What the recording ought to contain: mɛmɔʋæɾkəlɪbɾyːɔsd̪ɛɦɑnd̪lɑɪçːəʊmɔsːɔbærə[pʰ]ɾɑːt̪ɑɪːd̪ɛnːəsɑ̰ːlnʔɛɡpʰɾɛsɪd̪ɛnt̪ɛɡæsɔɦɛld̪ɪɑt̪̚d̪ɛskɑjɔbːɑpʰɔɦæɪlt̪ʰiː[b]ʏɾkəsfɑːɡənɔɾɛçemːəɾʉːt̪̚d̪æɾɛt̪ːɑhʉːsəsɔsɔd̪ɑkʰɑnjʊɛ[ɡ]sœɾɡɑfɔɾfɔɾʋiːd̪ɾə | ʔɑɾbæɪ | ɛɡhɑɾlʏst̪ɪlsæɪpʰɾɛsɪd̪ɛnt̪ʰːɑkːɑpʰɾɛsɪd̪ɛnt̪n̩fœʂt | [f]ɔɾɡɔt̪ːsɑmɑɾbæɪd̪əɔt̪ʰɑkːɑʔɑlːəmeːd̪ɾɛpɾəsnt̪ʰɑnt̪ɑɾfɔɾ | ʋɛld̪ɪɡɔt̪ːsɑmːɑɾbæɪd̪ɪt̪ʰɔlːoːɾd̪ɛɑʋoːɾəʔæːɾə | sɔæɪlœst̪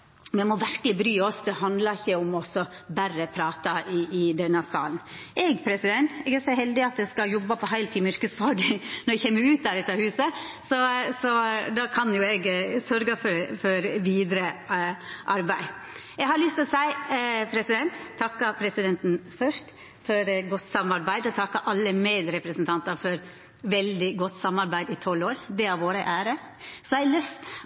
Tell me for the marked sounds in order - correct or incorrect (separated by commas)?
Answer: correct, incorrect, correct, correct